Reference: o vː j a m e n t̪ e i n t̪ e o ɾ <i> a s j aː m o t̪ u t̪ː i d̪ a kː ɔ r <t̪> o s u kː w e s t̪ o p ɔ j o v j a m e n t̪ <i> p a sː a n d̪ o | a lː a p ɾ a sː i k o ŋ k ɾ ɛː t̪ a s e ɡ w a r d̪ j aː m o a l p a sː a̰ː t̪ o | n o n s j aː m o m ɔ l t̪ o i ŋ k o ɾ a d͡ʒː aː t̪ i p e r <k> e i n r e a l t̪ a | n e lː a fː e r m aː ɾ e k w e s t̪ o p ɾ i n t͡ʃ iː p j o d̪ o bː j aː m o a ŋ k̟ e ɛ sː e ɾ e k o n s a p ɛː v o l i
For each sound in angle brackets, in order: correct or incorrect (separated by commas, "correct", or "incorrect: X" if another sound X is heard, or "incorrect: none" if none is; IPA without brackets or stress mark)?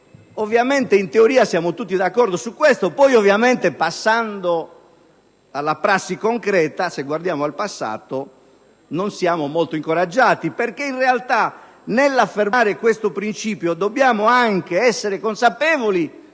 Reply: incorrect: iː, incorrect: d̪, incorrect: e, correct